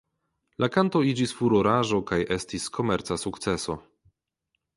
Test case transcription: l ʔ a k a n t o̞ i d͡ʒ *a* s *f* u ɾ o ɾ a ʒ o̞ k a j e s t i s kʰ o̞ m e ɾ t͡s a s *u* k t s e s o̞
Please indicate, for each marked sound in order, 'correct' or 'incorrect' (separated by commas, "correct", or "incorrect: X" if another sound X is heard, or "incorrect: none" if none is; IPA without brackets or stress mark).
incorrect: i, correct, correct